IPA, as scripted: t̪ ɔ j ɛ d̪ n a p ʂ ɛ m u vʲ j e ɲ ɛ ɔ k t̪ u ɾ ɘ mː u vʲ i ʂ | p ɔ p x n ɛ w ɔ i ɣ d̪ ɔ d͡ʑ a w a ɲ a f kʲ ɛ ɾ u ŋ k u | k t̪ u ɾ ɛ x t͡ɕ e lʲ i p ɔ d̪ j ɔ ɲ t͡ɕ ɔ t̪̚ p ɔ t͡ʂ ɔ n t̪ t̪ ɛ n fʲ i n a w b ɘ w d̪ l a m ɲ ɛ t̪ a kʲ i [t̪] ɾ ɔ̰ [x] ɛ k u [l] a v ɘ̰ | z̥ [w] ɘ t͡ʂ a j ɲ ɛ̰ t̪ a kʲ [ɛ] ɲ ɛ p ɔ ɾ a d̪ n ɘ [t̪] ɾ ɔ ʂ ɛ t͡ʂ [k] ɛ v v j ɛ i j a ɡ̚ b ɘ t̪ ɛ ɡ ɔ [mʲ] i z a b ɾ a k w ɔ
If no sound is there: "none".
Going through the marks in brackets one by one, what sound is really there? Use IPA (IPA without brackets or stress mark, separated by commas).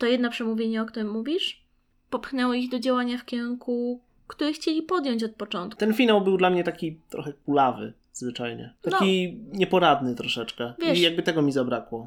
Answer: t̪, x, l, v, i, t̪, k, mʲ